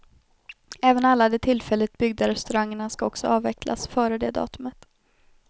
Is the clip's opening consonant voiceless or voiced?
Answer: voiced